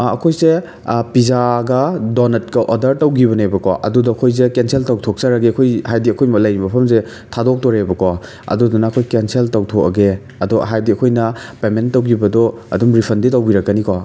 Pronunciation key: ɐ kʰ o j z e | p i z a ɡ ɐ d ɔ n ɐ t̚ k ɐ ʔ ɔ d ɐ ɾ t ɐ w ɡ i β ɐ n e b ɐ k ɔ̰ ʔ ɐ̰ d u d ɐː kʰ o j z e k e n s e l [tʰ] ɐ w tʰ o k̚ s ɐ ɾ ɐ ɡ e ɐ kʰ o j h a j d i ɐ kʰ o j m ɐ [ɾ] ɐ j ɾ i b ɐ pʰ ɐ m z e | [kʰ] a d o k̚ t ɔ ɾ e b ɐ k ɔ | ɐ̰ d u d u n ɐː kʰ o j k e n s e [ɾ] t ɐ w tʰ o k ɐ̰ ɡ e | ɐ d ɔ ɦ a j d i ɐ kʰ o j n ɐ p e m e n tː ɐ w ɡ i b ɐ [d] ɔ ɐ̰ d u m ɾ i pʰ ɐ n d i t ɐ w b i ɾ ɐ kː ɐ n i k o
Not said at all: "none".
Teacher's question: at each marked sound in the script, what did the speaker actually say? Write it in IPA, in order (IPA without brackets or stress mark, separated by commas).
t, l, tʰ, l, d